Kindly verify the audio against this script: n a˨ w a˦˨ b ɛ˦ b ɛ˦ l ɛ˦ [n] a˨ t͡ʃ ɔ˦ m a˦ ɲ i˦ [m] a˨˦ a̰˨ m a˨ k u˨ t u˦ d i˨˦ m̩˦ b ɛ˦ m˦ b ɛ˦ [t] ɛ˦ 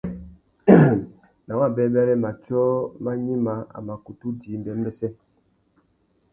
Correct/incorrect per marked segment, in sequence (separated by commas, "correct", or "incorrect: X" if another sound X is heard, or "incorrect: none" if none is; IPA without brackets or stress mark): incorrect: m, correct, incorrect: s